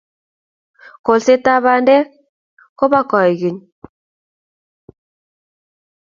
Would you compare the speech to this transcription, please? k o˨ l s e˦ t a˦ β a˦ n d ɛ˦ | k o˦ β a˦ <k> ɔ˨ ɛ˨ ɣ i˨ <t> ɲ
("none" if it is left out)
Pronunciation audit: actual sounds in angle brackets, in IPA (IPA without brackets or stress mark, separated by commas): k, none